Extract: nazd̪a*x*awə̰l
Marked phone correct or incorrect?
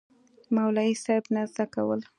incorrect